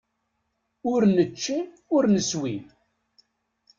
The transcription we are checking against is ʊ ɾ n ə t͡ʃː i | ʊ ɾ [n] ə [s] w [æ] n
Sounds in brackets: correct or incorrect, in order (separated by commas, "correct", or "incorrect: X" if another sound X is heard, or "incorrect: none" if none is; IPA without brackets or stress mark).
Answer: correct, correct, incorrect: i